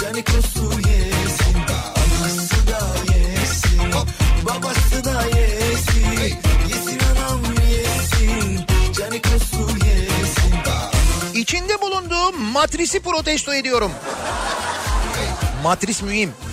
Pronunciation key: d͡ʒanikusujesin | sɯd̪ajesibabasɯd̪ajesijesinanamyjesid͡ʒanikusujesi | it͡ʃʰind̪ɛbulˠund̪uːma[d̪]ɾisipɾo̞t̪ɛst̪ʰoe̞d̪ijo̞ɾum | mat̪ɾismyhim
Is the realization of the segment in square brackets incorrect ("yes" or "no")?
yes